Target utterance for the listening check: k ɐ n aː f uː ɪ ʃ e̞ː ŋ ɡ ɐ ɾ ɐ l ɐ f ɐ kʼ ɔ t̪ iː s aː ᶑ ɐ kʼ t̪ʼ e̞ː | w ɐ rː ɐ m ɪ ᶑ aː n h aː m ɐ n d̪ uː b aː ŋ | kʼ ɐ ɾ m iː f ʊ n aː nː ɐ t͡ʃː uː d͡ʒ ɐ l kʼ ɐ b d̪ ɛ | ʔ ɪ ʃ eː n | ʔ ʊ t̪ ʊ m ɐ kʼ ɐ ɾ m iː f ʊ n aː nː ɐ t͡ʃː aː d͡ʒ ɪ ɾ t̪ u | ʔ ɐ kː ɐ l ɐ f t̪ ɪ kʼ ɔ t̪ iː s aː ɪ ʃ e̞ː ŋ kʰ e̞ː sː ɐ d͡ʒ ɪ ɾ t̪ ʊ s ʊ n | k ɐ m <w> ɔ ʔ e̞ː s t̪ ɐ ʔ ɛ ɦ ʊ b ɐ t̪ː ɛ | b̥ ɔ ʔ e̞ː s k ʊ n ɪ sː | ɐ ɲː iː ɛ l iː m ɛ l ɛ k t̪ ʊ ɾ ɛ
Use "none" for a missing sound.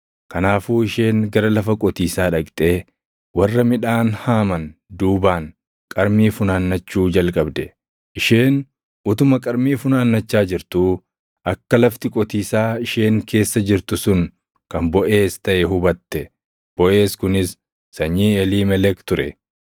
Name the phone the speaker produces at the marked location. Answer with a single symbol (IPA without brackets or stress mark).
b